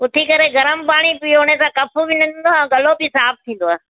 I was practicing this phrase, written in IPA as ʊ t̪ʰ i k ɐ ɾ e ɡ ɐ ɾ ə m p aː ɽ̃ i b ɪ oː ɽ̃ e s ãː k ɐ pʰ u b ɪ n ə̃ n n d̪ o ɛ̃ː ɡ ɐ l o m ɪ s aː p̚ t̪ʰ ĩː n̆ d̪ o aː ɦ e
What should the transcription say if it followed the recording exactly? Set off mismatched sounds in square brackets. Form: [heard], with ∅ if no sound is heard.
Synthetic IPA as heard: ʊ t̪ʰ i k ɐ ɾ e ɡ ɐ ɾ ə m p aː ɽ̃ i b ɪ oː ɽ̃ e s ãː k ɐ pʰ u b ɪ n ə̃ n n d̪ o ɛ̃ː ɡ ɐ l o [b] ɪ s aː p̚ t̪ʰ ĩː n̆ d̪ o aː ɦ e